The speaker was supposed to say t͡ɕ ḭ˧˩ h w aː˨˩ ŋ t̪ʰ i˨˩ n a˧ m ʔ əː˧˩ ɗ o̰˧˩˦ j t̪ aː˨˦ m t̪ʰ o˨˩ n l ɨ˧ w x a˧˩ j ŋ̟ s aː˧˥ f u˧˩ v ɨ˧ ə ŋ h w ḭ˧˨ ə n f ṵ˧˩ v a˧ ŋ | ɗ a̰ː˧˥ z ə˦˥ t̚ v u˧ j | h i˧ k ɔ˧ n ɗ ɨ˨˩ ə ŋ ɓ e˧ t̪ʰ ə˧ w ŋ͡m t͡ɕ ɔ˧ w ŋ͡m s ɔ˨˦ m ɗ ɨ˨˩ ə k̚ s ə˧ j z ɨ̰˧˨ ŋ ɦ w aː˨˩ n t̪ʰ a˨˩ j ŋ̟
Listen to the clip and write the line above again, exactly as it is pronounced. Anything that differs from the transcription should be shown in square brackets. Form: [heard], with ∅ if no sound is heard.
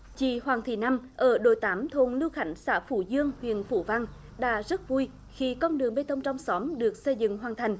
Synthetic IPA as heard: t͡ɕ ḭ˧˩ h w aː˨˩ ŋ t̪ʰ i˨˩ n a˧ m ʔ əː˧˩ ɗ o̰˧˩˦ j t̪ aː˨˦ m t̪ʰ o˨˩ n l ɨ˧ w x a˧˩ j ŋ̟ s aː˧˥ f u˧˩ [z] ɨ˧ ə ŋ h w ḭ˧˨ ə n f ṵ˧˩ v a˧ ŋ | ɗ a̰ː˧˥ z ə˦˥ t̚ v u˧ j | [x] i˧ k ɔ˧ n ɗ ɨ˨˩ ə ŋ ɓ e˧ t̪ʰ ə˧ w ŋ͡m t͡ɕ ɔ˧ w ŋ͡m s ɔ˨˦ m ɗ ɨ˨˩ ə k̚ s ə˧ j z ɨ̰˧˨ ŋ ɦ w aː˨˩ n t̪ʰ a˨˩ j ŋ̟